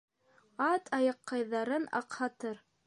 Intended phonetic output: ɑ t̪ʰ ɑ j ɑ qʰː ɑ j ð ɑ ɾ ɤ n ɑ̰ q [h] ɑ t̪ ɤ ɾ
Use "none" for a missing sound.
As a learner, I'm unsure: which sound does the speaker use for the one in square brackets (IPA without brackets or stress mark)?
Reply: h